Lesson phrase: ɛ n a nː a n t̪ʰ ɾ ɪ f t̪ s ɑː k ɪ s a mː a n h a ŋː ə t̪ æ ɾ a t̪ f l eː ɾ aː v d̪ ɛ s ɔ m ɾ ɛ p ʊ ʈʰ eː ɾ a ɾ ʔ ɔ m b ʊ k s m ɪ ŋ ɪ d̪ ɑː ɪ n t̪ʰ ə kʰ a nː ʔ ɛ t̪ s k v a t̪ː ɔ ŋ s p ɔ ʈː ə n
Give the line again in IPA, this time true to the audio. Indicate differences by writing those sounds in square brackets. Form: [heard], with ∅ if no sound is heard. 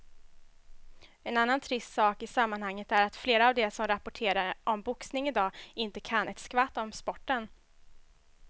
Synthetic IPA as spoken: ɛ n a nː a n t̪ʰ ɾ ɪ [s] t̪ s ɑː k ɪ s a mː a n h a ŋː ə t̪ æ ɾ a t̪ f l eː ɾ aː v d̪ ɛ s ɔ m ɾ [a] p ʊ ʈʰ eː ɾ a ɾ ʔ ɔ m b ʊ k s [n] ɪ ŋ ɪ d̪ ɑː ɪ n [t̪] ə kʰ a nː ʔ ɛ t̪ s k v a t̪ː ɔ [m] s p ɔ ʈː ə n

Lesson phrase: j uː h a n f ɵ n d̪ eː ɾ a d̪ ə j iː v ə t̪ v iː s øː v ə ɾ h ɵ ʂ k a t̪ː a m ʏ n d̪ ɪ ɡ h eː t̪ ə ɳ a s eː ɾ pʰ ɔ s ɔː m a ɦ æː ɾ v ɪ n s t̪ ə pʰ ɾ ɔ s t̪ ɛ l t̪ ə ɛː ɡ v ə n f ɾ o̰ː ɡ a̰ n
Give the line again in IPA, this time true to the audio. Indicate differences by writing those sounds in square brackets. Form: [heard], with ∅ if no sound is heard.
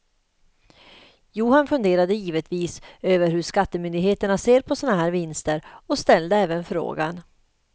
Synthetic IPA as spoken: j uː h a n f ɵ n d̪ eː ɾ a d̪ ə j iː v ə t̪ v iː s øː v ə ɾ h ɵ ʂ k a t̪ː [ə] m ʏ n d̪ ɪ ɡ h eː t̪ ə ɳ a s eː ɾ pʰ ɔ s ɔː [n] a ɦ æː ɾ v ɪ n s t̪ ə [∅] ɾ ɔ s t̪ ɛ l [d̪] ə ɛː [∅] v ə n f ɾ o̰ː ɡ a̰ n

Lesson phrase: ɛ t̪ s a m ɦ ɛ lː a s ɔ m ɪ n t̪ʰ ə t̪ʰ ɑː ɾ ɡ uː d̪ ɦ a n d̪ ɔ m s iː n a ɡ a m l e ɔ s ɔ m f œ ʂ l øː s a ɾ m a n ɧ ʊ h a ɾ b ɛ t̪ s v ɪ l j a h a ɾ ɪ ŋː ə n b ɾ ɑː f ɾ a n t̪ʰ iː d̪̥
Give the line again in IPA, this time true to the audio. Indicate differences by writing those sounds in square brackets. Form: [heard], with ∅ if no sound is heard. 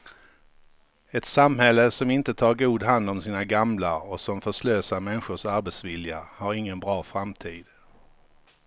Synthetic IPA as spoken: ɛ t̪ s a m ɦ ɛ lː [ə] s ɔ m ɪ n [t̪] ə t̪ʰ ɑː ɾ ɡ uː d̪ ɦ a n d̪ ɔ m s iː n a ɡ a m l [a] ɔ s ɔ m f œ ʂ l øː s a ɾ m [ɛ] n ɧ ʊ [ʂ] a ɾ b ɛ t̪ s v ɪ l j a h a ɾ ɪ ŋː ə n b ɾ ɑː f ɾ a [m] t̪ʰ iː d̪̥

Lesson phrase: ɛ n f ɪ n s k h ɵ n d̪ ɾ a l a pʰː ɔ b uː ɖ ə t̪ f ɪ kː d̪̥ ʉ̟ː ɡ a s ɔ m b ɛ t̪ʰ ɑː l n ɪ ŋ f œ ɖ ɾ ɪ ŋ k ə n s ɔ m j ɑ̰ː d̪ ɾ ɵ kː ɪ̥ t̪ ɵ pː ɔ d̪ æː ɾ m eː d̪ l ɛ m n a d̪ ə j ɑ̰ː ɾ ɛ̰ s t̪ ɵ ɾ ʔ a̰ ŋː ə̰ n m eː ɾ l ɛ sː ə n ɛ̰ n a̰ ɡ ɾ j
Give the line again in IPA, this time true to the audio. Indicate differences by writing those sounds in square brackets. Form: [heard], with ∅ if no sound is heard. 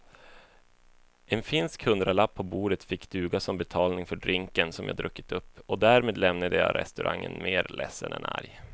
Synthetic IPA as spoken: ɛ n f ɪ n s k h ɵ n d̪ ɾ a l a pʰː ɔ b uː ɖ ə t̪ f ɪ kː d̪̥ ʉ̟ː ɡ a s ɔ m b ɛ t̪ʰ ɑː l n ɪ ŋ f œ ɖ ɾ ɪ ŋ k ə n s ɔ m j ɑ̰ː d̪ ɾ ɵ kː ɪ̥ t̪ ɵ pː ɔ d̪ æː ɾ m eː d̪ l ɛ m n a d̪ ə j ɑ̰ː ɾ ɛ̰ s t̪ ɵ ɾ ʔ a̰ ŋː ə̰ n m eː ɾ l ɛ sː ə n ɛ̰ n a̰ [∅] ɾ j

